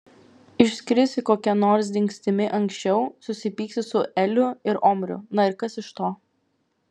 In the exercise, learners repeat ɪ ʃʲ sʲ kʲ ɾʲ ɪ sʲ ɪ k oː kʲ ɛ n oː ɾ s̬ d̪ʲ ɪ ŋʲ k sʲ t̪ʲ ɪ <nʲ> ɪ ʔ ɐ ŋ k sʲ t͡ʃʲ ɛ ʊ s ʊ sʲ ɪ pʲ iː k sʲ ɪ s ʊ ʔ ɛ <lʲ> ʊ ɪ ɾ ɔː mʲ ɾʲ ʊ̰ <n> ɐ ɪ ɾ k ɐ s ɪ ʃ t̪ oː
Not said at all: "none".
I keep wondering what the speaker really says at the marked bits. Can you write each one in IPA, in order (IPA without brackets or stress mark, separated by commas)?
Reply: mʲ, lʲ, n